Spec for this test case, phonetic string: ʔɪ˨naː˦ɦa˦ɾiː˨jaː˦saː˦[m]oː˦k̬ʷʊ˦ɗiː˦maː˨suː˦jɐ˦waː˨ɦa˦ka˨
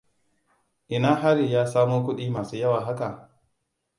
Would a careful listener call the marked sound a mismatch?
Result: no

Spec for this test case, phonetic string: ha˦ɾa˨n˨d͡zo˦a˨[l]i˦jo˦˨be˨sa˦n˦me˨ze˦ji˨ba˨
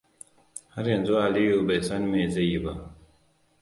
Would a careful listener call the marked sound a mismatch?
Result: no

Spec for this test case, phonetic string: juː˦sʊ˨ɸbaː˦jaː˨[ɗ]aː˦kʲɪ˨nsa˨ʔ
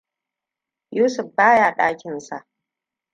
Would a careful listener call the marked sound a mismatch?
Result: no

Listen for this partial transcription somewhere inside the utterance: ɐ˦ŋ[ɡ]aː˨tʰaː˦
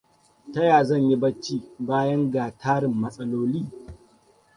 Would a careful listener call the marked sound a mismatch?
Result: no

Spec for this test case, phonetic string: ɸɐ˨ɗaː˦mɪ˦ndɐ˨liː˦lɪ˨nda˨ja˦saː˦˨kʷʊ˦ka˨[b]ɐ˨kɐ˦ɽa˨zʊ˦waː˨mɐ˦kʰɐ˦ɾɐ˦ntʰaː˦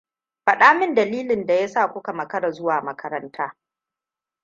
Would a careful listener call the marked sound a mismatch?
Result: yes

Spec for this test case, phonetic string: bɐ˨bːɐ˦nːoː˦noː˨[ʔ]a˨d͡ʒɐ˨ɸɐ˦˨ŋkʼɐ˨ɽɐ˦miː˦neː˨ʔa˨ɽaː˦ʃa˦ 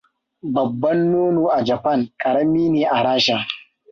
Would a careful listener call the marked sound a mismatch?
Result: no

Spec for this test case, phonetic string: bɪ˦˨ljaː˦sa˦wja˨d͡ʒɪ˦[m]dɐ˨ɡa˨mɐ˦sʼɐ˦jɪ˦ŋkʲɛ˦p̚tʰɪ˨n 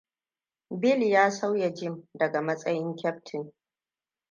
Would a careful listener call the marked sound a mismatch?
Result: no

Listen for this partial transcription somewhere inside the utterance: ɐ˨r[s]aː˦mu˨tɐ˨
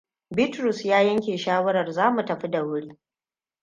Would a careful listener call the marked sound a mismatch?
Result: yes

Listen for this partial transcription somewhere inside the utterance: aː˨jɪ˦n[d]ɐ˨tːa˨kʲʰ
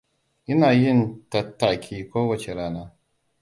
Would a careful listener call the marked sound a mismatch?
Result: yes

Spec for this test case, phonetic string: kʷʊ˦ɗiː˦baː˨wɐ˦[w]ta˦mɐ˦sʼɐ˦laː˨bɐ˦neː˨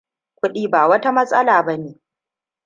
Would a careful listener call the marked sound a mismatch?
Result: yes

